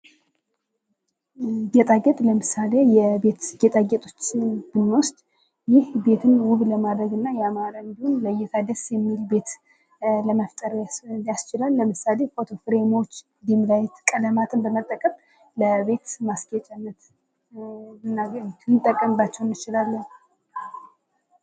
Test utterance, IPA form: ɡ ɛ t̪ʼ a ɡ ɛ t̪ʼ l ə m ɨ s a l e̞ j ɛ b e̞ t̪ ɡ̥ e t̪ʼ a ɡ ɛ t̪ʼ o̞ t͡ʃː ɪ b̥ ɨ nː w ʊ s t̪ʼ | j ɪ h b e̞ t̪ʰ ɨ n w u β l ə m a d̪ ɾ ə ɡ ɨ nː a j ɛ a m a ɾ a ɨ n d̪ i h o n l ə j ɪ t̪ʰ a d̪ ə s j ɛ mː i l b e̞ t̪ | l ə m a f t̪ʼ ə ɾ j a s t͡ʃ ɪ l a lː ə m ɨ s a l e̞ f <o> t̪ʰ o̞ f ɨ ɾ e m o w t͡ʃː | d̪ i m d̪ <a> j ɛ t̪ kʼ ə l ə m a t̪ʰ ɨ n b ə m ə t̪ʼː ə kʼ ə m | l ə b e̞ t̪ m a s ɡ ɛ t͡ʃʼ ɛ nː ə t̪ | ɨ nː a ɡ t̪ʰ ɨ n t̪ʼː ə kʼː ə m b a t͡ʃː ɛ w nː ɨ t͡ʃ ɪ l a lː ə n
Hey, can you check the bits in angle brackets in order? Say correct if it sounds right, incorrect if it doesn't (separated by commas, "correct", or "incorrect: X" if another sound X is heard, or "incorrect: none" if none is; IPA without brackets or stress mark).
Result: correct, correct